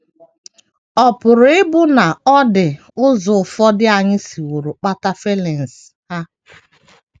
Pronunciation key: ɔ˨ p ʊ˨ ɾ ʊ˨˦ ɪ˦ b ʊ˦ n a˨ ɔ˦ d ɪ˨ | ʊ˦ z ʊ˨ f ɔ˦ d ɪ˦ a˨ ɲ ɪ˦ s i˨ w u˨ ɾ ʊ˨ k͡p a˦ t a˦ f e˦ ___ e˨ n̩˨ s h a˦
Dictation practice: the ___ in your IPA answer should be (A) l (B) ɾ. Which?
A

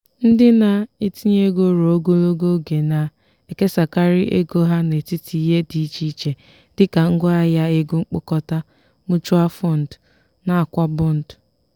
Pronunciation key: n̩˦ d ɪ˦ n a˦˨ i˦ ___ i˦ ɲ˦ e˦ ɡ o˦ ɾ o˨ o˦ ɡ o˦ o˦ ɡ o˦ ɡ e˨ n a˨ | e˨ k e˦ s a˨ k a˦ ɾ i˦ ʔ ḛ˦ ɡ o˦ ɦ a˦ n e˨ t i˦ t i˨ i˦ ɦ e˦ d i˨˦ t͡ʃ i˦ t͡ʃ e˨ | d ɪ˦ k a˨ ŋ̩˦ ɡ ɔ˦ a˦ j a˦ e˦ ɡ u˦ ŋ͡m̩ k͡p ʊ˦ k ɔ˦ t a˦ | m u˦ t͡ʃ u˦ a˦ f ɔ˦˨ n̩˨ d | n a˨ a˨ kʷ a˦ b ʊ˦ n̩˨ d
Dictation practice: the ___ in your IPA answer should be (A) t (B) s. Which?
A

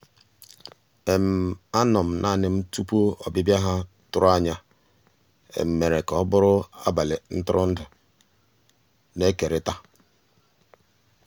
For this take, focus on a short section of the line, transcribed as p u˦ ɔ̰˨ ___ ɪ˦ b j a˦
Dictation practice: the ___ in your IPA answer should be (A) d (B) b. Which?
B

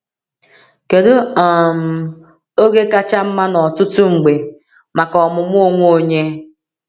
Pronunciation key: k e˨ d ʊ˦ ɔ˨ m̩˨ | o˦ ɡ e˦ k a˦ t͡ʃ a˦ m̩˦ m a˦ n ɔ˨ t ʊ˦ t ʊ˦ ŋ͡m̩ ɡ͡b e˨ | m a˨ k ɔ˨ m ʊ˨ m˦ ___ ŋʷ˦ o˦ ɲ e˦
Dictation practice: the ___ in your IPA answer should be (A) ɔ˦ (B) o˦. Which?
B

